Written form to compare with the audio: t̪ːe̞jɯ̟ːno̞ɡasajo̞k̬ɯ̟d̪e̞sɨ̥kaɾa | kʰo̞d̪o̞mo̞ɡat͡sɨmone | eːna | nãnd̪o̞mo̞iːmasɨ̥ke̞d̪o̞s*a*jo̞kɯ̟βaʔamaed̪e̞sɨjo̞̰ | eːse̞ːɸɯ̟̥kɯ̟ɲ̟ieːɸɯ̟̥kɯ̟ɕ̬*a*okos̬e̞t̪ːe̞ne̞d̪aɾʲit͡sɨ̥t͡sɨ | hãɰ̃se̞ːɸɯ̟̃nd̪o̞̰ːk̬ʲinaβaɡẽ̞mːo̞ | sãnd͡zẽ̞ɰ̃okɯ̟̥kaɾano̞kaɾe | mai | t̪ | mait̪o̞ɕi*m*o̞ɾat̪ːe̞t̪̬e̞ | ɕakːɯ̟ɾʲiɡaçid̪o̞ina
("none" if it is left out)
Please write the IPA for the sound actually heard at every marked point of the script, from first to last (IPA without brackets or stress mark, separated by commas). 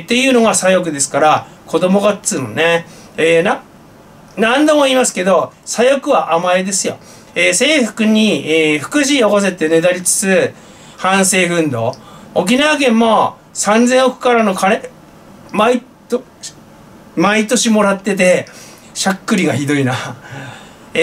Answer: a, i, m